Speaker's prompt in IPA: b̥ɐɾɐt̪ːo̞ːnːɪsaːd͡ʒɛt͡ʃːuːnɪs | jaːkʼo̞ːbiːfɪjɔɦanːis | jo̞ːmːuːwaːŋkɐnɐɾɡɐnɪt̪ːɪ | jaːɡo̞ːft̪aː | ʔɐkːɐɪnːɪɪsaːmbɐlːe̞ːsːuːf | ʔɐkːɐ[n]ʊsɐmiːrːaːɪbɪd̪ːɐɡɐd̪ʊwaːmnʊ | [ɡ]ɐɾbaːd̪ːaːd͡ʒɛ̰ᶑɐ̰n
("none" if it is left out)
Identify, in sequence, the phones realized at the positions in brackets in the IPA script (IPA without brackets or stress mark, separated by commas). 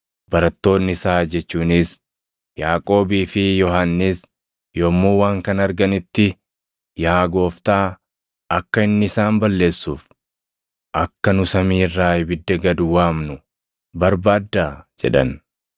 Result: n, b